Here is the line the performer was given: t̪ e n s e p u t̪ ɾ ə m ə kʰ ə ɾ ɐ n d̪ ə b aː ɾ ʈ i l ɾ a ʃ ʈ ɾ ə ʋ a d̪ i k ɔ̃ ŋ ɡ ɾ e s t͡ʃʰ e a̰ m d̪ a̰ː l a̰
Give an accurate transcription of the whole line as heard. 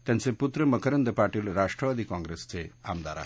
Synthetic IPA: t̪ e n s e p u t̪ ɾ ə m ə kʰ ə ɾ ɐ n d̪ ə p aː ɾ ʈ i l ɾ a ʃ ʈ ɾ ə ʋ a d̪ i k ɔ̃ ŋ ɡ ɾ e s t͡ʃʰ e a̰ m d̪ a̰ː ɾ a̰